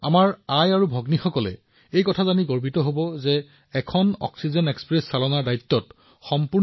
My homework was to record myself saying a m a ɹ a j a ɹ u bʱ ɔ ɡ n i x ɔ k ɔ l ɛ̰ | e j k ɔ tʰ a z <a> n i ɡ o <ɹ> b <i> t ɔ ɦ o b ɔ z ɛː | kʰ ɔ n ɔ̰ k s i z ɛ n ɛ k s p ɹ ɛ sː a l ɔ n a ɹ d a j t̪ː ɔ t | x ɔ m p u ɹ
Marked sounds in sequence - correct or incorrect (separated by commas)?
correct, correct, correct